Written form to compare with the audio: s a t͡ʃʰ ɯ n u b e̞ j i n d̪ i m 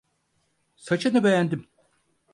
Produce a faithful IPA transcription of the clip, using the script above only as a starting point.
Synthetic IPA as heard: s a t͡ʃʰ ɯ n ɯ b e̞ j æ n d̪ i m